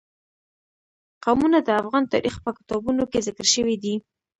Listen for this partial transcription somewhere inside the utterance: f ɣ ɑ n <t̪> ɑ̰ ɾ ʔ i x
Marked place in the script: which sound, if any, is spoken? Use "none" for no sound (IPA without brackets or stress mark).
t̪